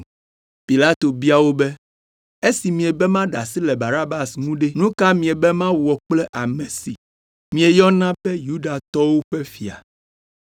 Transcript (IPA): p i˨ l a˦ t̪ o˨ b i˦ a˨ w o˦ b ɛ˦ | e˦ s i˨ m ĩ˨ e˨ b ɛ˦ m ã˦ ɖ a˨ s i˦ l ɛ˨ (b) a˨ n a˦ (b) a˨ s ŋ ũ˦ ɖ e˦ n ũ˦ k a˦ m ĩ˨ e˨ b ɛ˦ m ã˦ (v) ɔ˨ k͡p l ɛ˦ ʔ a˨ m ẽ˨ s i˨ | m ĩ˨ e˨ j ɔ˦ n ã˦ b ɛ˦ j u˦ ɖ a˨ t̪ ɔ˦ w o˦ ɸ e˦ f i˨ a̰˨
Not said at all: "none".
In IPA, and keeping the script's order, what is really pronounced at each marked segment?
b, b, w

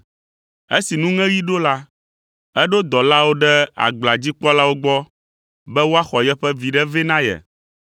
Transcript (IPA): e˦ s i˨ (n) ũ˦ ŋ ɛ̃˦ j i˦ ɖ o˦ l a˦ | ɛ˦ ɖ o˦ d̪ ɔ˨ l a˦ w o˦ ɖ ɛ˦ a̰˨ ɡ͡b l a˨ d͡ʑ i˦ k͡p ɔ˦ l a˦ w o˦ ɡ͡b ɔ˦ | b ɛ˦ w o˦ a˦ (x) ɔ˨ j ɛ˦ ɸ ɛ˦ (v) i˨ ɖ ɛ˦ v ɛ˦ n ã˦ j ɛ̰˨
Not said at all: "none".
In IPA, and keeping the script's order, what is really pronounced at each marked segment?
n, x, v

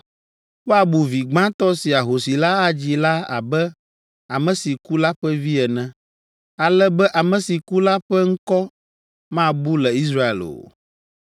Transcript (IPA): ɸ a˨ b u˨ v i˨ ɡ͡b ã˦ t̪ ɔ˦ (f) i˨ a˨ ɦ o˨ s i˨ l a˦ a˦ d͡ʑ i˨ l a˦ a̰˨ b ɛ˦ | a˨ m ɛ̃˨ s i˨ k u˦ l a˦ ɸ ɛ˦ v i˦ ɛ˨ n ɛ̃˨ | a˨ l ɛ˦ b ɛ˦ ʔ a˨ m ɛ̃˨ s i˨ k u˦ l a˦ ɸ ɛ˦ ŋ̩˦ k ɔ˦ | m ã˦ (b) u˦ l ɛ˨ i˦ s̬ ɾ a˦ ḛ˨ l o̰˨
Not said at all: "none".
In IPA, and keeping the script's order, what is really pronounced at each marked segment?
s, b

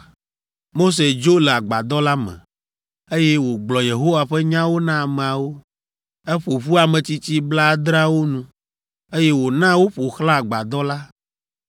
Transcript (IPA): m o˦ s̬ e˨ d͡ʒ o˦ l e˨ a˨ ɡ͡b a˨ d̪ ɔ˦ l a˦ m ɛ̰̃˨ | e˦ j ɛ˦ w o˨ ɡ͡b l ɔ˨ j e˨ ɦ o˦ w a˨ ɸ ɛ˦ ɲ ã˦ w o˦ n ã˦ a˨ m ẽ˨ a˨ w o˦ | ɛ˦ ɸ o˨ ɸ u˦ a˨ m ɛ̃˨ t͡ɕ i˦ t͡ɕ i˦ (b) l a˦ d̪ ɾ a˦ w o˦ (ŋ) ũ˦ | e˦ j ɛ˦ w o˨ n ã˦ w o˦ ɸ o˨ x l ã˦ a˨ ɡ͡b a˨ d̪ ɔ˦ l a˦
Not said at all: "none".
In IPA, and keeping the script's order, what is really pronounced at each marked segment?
b, n

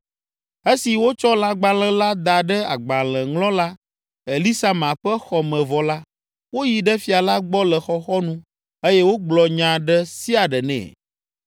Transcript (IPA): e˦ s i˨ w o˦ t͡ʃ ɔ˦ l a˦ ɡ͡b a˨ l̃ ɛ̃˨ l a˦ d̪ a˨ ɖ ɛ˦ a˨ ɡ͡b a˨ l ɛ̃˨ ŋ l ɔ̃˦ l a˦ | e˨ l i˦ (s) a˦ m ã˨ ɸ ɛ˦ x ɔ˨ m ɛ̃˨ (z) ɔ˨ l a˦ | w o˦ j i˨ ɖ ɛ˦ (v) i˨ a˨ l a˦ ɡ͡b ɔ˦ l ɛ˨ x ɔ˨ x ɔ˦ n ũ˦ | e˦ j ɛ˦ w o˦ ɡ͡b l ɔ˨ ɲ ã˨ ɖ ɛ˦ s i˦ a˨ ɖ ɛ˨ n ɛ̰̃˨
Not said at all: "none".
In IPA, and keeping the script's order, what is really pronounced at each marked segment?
s, v, f

